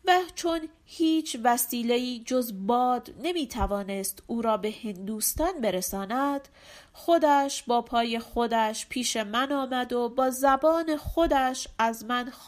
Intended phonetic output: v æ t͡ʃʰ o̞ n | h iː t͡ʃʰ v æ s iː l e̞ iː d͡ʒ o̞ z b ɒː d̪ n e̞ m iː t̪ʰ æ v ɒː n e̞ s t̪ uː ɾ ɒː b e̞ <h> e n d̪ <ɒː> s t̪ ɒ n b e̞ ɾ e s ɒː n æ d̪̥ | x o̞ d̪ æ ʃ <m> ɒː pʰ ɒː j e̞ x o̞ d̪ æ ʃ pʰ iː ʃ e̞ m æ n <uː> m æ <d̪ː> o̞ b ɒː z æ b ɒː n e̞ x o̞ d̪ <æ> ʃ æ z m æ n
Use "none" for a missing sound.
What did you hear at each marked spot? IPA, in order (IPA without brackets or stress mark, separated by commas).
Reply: h, uː, b, ɒː, d̪, æ